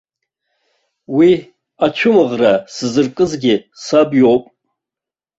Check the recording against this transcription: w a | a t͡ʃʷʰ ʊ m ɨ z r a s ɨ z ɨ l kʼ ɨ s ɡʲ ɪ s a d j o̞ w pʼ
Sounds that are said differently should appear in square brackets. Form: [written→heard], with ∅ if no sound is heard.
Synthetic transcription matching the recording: w [a→i] | a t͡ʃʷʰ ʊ m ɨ [z→ʁ] r a s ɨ z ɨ [l→r] kʼ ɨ [s→z] ɡʲ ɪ s a [d→b] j o̞ w pʼ

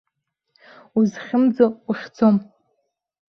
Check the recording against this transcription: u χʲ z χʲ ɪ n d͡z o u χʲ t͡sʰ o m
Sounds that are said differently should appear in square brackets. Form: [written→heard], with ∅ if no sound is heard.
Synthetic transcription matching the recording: u [χʲ→∅] z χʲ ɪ [n→m] d͡z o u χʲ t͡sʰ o m

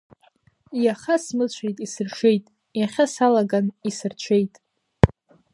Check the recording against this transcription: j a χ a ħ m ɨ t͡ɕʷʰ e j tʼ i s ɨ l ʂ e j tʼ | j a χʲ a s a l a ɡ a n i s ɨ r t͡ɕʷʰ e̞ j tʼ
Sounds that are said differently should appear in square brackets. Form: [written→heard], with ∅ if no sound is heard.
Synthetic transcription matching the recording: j a χ a [ħ→s] m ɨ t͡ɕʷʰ e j tʼ i s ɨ [l→r] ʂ e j tʼ | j a χʲ a s a l a ɡ a n i s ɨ r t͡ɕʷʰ e̞ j tʼ

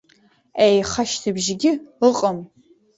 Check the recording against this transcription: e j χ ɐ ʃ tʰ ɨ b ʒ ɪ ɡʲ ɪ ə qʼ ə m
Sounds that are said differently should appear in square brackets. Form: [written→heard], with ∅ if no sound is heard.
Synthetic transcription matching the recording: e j χ ɐ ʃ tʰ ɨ b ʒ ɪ ɡʲ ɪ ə qʼ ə m

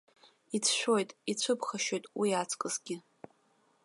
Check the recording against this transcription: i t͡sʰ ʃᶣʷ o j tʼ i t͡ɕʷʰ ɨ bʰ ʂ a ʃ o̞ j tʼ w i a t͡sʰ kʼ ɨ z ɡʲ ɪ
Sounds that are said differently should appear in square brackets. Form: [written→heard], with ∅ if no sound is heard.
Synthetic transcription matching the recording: i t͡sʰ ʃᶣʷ o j tʼ i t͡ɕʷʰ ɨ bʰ [ʂ→χ] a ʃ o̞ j tʼ w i a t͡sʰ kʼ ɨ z ɡʲ ɪ

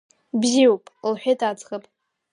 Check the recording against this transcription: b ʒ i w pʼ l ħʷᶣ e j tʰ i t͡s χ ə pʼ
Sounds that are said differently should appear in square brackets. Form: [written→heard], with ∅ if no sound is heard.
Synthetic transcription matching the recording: b [ʒ→z] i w pʼ l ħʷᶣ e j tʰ [i→a] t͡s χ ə pʼ

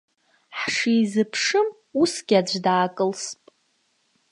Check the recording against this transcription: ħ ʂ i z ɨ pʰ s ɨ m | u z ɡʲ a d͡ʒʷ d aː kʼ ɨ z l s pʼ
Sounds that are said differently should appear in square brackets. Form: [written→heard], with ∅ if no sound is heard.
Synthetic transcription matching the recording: ħ ʂ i z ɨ pʰ [s→ʂ] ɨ m | u [z→s] ɡʲ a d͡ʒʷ d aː kʼ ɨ [z→∅] l s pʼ

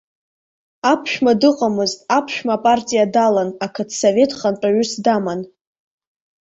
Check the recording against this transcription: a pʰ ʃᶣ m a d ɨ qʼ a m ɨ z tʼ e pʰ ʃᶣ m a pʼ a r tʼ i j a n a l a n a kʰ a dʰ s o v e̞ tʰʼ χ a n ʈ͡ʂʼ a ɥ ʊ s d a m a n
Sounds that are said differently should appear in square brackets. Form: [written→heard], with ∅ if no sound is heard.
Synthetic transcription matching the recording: a pʰ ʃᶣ m a d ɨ qʼ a m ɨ z tʼ [e→a] pʰ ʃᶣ m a pʼ a r tʼ i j a [n→d] a l a n a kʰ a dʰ s o v e̞ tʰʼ χ a n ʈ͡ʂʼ a ɥ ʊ s d a m a n

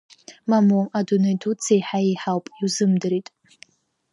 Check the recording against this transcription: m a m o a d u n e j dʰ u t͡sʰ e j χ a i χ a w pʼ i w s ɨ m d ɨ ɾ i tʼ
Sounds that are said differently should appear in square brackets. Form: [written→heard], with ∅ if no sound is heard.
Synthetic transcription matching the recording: m a m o a d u n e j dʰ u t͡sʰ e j [χ→ħ] a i [χ→ħ] a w pʼ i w [s→z] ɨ m d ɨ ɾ i tʼ

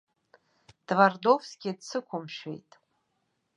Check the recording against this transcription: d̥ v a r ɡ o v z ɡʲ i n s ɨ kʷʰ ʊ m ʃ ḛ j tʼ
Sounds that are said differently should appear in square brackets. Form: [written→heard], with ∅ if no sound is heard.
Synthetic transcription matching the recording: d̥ v a r [ɡ→d] o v [z→s] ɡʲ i [n→d] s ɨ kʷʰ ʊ m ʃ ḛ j tʼ

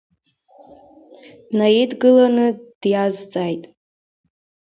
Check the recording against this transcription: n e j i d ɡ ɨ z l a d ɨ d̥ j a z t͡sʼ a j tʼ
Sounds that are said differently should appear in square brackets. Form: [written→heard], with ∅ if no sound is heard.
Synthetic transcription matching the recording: n [e→a] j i d ɡ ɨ [z→∅] l a [d→n] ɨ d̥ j a z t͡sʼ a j tʼ

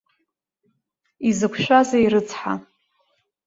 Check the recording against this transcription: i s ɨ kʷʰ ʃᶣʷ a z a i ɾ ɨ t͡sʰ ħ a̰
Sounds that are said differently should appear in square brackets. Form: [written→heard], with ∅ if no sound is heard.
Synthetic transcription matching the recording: i [s→z] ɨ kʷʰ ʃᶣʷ a z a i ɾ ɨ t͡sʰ ħ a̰

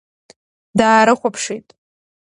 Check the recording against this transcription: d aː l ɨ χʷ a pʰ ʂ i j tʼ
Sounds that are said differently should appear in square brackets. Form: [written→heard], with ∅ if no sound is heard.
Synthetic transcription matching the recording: d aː [l→ɾ] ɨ χʷ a pʰ ʂ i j tʼ

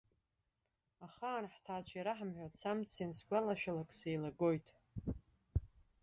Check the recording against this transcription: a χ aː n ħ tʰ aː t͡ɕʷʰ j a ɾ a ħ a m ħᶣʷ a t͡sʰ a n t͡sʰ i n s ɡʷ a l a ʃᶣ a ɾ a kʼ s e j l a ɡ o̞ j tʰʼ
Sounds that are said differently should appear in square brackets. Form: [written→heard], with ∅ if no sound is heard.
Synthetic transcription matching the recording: a χ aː n ħ tʰ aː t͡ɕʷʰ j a ɾ a ħ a m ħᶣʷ a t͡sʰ a [n→m] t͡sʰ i n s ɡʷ a l a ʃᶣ a [ɾ→l] a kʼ s e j l a ɡ o̞ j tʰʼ

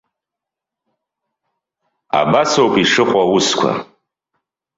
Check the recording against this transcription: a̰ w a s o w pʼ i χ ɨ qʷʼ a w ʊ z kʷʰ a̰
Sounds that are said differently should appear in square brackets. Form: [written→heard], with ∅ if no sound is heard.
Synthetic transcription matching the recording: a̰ [w→b] a s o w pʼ i [χ→ʂ] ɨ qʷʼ a w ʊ [z→s] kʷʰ a̰

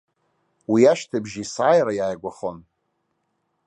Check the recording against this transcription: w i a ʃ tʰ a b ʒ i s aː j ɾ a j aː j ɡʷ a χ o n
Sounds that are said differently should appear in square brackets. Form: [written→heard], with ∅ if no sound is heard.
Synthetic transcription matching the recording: w i a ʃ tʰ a b ʒ i s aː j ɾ a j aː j ɡʷ a χ o n

